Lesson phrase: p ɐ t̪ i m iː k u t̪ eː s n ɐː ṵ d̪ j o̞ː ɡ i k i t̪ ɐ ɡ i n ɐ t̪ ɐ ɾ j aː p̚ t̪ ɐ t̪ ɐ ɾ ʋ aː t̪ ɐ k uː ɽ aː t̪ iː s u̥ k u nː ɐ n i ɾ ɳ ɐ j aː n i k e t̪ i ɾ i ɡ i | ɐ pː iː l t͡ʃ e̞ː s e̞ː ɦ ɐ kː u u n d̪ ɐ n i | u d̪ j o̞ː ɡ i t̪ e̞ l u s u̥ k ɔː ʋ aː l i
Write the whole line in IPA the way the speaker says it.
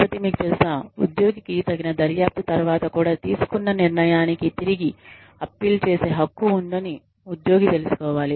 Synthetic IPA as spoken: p ɐ t̪ i m iː k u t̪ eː s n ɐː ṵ d̪ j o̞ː ɡ i k i t̪ ɐ ɡ i n ɐ d̪ ɐ ɾ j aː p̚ t̪ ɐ t̪ ɐ ɾ ʋ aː t̪ ɐ k uː ɽ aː t̪ iː s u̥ k u nː ɐ n i ɾ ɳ ɐ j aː n i k i t̪ i ɾ i ɡ i | ɐ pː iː l t͡ʃ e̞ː s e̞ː ɦ ɐ kː u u n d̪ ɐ n i | u d̪ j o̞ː ɡ i t̪ e̞ l u s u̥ k ɔː ʋ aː l i